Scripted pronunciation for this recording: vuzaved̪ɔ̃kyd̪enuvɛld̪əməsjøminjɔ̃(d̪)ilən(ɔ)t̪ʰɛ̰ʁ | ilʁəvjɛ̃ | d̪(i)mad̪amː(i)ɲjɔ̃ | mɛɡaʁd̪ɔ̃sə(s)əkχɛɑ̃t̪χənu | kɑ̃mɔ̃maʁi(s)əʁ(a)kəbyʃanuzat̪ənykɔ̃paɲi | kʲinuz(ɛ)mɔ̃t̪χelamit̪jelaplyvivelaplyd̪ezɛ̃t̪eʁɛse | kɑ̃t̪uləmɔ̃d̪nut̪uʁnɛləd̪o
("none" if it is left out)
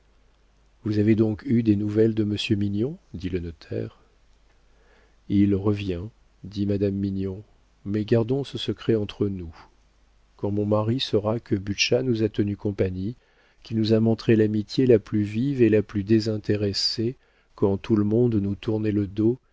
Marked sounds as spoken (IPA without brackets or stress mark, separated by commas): d̪, ɔ, i, i, s, s, a, a